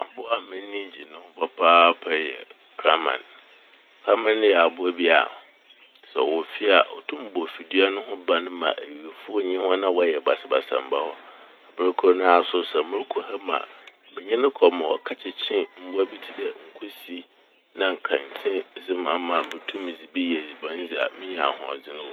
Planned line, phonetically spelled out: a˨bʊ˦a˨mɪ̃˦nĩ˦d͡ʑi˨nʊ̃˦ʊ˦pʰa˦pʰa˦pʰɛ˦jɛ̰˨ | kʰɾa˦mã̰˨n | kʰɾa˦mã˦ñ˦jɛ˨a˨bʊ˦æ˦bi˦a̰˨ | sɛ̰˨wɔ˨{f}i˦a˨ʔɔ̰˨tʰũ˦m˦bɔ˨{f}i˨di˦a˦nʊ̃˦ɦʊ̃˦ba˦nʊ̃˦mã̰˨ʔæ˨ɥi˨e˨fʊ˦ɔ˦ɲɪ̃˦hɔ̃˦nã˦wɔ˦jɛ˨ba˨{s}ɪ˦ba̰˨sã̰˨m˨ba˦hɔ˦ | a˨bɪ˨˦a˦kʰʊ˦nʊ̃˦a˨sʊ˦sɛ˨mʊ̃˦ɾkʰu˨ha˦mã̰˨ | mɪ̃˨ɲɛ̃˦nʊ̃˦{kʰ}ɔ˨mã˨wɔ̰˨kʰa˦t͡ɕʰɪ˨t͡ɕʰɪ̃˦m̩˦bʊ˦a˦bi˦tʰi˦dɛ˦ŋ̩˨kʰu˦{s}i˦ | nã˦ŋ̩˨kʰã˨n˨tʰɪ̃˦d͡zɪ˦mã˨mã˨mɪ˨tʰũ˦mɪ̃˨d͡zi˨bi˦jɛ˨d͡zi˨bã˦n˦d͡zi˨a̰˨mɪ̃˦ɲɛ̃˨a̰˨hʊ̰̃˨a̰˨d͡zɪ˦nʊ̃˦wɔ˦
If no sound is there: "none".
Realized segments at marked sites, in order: f, f, s, kʰ, s

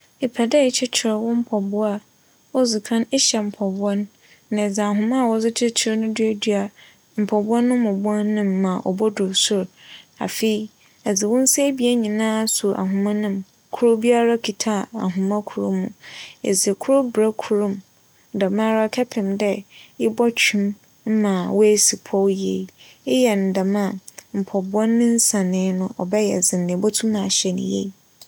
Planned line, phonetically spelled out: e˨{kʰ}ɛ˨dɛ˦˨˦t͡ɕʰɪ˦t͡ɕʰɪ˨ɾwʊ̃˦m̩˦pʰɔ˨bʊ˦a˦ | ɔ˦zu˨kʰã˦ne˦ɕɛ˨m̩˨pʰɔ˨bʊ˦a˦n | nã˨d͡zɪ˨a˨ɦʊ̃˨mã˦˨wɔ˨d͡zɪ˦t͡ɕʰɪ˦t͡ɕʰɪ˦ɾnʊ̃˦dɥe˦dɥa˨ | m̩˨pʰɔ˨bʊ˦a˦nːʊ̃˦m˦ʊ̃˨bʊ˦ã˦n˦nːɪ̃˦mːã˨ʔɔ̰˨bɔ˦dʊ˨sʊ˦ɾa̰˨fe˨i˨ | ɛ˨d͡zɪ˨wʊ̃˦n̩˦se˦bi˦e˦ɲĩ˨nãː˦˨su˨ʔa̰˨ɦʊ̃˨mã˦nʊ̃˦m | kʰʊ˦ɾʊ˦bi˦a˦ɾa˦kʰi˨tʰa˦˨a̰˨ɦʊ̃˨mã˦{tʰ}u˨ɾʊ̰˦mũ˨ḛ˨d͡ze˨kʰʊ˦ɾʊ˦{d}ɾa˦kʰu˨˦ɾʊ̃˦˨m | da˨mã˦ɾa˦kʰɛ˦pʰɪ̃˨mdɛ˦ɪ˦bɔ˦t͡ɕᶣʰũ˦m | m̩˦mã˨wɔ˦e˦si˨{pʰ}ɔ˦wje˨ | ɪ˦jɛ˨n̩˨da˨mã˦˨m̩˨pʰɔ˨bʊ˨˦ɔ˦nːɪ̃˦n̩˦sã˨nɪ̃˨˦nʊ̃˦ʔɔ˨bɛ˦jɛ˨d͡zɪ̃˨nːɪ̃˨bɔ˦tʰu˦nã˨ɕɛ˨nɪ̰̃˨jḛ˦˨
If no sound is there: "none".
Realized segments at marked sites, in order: pʰ, kʰ, b, pʰ

